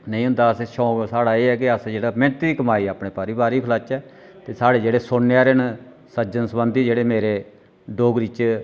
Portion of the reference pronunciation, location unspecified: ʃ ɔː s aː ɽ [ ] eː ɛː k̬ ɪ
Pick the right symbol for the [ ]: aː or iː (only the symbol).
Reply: aː